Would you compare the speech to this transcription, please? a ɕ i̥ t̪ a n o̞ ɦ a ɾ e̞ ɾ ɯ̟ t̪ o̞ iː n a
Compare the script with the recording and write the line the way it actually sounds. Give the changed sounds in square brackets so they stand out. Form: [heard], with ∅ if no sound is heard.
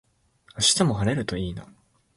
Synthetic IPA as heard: a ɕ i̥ t̪ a [m] o̞ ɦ a ɾ e̞ ɾ ɯ̟ t̪ o̞ iː n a